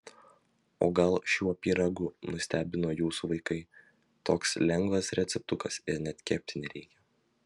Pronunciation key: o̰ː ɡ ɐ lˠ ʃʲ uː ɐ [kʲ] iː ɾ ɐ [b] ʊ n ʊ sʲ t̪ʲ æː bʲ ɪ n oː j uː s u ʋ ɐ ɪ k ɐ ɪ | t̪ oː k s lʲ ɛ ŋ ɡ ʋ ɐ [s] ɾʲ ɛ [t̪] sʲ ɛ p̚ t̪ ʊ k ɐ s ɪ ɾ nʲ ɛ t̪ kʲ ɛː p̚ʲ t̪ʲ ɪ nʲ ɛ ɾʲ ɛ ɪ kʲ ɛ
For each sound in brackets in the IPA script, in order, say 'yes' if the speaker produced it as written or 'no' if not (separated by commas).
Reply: no, no, yes, yes